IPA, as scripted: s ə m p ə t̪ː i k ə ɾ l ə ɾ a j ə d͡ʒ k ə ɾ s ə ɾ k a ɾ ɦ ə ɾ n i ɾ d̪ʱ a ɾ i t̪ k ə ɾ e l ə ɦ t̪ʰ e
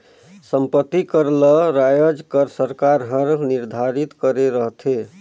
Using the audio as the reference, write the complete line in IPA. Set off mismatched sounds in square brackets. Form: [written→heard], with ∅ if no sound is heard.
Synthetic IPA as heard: s ə m p ə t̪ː i k ə ɾ l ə ɾ a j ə d͡ʒ k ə ɾ s ə ɾ k a ɾ ɦ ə ɾ n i ɾ d̪ʱ a ɾ i t̪ k ə ɾ e [l→ɾ] ə ɦ t̪ʰ e